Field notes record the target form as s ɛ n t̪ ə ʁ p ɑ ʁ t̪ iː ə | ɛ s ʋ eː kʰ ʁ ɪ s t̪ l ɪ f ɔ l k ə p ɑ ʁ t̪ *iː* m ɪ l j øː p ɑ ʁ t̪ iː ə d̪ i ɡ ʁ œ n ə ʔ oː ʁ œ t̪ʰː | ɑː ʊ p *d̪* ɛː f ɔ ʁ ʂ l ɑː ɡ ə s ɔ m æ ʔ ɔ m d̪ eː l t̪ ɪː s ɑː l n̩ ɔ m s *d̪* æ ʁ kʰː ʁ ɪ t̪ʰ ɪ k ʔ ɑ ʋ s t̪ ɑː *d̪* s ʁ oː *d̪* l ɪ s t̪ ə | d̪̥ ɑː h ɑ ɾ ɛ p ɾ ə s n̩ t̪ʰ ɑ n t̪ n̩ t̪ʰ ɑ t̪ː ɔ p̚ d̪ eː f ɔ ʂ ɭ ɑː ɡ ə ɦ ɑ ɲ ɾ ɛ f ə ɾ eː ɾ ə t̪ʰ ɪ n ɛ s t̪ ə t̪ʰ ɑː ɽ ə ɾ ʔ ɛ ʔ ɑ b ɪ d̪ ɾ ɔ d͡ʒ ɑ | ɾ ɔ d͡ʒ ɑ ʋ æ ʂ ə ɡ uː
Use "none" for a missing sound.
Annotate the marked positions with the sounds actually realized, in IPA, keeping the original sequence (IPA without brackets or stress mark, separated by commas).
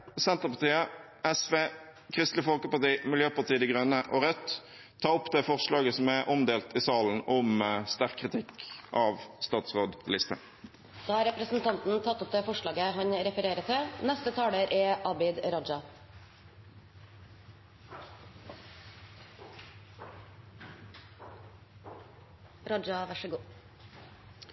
iː, d̪, t̪, t̪, d̪